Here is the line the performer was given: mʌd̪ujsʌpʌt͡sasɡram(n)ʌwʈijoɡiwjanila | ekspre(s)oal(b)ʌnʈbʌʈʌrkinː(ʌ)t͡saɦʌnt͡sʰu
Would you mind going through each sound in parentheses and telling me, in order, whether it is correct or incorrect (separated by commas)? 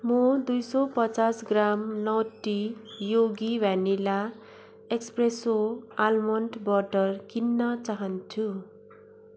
correct, correct, incorrect, correct